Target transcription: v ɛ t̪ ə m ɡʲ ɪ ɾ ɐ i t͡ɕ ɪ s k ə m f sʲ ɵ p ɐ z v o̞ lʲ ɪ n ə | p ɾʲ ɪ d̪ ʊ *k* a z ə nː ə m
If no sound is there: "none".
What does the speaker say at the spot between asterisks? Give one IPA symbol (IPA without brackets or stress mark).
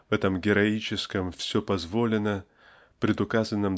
k